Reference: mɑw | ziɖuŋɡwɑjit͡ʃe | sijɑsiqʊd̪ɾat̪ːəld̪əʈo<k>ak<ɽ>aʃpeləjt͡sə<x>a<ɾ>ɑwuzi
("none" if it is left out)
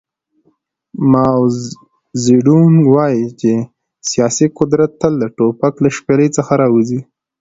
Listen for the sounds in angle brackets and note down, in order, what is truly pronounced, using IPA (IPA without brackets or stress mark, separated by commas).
p, l, x, ɾ